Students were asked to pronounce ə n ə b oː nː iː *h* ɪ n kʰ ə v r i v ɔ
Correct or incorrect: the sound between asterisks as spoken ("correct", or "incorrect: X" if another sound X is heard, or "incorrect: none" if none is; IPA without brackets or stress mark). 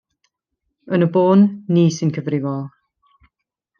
incorrect: s